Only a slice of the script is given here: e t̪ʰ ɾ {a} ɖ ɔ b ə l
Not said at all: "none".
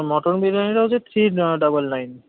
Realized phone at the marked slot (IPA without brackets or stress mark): i